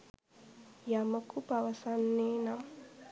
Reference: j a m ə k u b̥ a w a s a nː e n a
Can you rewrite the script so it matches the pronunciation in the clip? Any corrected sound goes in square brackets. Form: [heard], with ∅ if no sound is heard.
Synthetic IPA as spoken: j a m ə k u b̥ a w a s a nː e n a